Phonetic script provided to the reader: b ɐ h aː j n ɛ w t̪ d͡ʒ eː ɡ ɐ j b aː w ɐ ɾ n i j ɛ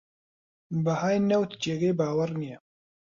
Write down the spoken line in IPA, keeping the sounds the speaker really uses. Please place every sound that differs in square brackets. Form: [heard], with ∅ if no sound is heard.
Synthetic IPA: b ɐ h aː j n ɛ w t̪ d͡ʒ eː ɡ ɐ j b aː w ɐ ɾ n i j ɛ